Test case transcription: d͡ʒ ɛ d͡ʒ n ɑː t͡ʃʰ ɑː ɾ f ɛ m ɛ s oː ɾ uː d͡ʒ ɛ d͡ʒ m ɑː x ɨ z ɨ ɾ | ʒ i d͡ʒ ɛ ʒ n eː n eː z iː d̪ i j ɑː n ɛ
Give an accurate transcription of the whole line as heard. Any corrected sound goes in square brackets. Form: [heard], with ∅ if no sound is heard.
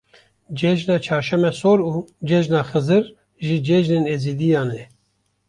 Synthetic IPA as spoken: d͡ʒ ɛ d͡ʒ n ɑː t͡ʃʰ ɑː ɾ [ʃ] ɛ m ɛ s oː ɾ uː d͡ʒ ɛ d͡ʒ [n] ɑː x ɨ z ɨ ɾ | ʒ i d͡ʒ ɛ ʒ n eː n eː z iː d̪ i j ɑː n ɛ